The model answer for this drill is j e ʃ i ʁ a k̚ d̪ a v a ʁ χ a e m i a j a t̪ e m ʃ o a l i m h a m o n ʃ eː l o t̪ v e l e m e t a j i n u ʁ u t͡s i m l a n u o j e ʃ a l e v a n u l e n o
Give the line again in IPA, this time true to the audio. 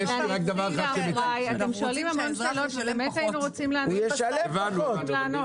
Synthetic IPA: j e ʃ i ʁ a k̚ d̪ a v a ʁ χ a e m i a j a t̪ e m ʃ o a l i m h a m o n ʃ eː l o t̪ v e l e m e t a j i n u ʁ o t͡s i m l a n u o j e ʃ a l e v a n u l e n o